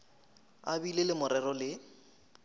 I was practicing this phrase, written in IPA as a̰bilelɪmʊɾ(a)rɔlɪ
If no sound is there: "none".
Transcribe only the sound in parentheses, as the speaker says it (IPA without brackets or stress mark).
ɛ